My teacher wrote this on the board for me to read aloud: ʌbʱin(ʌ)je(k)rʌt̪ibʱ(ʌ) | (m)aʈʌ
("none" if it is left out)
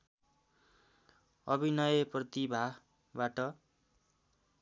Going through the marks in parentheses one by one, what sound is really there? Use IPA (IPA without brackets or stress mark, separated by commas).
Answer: ʌ, p, a, b